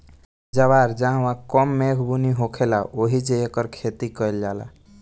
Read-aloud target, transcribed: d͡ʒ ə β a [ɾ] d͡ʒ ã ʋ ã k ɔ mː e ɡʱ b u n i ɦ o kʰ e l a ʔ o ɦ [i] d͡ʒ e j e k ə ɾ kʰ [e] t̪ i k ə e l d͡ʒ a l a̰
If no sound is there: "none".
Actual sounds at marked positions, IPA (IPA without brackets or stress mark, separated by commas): ɾ, i, e